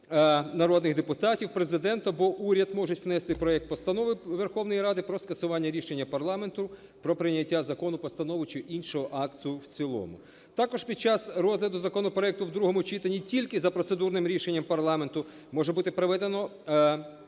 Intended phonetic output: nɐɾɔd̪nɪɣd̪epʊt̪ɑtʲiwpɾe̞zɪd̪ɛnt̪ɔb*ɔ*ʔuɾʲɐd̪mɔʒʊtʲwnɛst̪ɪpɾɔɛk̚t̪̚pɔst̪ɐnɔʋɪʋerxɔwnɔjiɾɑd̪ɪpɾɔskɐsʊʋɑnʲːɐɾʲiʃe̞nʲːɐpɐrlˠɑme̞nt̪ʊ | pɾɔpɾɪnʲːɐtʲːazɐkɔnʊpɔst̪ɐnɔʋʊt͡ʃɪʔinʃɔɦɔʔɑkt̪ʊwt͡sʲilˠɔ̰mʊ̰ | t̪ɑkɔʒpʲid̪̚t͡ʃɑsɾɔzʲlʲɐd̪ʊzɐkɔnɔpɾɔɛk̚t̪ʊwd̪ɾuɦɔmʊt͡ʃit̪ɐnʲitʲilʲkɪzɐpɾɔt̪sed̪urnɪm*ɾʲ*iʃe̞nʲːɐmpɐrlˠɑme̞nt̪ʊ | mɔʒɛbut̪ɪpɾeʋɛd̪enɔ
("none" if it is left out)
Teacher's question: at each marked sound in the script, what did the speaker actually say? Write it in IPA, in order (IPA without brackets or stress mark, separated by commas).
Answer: ɔ, ɾʲ